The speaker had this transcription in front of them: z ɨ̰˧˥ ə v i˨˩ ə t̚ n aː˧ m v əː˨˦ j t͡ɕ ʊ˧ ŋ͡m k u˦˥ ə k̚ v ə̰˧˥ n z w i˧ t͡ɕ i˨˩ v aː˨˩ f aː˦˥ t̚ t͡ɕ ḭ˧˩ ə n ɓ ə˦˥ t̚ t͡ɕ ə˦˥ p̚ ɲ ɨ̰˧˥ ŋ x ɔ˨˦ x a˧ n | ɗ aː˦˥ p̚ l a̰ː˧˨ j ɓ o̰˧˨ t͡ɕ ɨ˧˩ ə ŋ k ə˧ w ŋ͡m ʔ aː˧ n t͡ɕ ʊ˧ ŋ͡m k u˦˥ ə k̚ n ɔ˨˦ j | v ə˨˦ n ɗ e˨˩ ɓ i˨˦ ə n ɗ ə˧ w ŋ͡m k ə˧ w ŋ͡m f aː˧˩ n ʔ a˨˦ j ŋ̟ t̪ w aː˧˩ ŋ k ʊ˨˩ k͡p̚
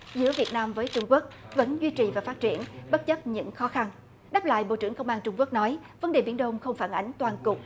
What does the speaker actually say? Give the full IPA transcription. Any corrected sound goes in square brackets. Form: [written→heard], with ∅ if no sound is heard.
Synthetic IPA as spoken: z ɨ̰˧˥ ə v i˨˩ ə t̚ n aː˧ m v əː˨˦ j t͡ɕ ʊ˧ ŋ͡m k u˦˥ ə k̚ v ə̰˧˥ n z w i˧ t͡ɕ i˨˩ v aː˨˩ f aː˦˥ t̚ t͡ɕ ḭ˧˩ ə n ɓ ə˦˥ t̚ t͡ɕ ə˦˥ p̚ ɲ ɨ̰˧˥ ŋ x ɔ˨˦ x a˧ n | ɗ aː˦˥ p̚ l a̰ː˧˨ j ɓ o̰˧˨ t͡ɕ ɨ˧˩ ə ŋ k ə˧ w ŋ͡m ʔ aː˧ n t͡ɕ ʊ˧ ŋ͡m k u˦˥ ə k̚ n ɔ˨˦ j | v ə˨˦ n ɗ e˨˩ ɓ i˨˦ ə n ɗ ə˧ w ŋ͡m [k→x] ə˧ w ŋ͡m f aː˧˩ n ʔ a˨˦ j ŋ̟ t̪ w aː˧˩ [ŋ→n] k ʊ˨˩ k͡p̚

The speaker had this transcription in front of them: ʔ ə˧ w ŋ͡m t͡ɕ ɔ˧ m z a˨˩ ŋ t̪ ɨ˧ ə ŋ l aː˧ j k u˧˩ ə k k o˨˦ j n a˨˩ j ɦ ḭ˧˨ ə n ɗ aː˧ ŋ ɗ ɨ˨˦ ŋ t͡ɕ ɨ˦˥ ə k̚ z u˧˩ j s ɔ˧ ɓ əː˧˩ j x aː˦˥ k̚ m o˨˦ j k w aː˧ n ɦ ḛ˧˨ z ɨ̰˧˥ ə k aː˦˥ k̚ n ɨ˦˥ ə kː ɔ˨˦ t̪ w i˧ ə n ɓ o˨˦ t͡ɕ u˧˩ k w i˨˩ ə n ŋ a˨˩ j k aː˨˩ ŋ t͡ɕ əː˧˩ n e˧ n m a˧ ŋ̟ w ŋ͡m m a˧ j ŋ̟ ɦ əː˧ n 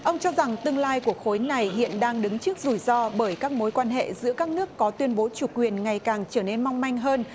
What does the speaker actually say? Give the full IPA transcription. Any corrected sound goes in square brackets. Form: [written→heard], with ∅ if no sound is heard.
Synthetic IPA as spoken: ʔ ə˧ w ŋ͡m t͡ɕ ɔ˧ [m→∅] z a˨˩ ŋ t̪ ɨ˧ ə ŋ l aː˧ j k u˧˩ ə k [k→x] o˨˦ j n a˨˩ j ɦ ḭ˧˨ ə n ɗ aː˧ ŋ ɗ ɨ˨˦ ŋ t͡ɕ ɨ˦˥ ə k̚ z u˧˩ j [s→z] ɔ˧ ɓ əː˧˩ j [x→k] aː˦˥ k̚ m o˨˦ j k w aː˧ n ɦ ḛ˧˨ z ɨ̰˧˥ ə k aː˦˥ k̚ n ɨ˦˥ ə kː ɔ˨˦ t̪ w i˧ ə n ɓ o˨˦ t͡ɕ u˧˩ k w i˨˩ ə n ŋ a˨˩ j k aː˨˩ ŋ t͡ɕ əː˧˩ n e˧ n m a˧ [ŋ̟→∅] w ŋ͡m m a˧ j ŋ̟ ɦ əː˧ n

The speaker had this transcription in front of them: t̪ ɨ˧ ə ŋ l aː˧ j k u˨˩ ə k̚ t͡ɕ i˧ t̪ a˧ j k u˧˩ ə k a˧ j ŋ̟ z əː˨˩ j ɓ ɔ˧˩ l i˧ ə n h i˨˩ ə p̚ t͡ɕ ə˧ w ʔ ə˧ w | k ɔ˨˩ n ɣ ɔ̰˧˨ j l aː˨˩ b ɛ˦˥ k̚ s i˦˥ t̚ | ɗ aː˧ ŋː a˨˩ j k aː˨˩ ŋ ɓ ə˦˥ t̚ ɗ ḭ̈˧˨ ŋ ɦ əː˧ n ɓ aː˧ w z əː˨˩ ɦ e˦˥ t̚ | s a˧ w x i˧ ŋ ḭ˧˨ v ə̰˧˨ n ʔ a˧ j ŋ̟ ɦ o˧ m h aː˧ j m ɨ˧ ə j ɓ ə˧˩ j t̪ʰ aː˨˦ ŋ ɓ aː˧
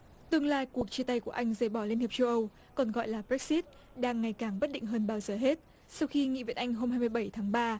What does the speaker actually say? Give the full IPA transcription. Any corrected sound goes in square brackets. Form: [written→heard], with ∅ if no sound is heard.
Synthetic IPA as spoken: t̪ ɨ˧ ə ŋ l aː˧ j k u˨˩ ə k̚ t͡ɕ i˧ t̪ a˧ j k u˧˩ ə [k→ʔ] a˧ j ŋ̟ z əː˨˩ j ɓ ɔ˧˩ l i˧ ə n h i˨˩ ə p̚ t͡ɕ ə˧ w ʔ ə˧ w | k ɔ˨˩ n ɣ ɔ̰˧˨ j l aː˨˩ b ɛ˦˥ k̚ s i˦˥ t̚ | ɗ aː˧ ŋː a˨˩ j k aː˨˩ ŋ ɓ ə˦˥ t̚ ɗ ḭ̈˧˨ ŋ ɦ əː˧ n ɓ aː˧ w z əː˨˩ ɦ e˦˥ t̚ | s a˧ w x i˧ ŋ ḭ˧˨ v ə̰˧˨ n ʔ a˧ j ŋ̟ ɦ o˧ m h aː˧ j m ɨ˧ ə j ɓ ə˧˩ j t̪ʰ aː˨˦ ŋ ɓ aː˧

